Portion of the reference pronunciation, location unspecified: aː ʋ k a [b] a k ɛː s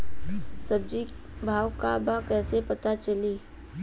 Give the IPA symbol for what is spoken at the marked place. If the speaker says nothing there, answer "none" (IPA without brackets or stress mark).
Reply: b